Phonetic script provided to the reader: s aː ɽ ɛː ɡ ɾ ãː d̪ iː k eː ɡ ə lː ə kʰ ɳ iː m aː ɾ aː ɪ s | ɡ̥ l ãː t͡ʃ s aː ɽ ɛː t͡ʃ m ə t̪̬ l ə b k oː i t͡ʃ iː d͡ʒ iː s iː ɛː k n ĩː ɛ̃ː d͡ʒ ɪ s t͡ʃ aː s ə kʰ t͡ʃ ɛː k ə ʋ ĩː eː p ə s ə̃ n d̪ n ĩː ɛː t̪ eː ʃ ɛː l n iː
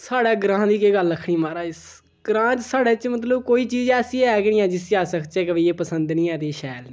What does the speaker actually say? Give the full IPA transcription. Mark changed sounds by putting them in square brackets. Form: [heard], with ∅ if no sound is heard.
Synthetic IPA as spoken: s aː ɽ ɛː ɡ ɾ ãː d̪ iː k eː ɡ ə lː ə kʰ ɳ iː m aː ɾ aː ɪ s | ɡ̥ [ɾ] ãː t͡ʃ s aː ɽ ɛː t͡ʃ m ə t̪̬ l ə b k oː [iː] t͡ʃ iː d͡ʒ [ɛː] s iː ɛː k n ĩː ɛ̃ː d͡ʒ ɪ s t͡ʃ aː s ə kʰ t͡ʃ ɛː k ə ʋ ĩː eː p ə s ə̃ n d̪ n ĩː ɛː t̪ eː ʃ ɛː l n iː